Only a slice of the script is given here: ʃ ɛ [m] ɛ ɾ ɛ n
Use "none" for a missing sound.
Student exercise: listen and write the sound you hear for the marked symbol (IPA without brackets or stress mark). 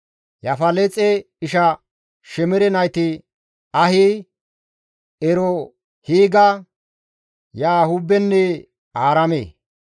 m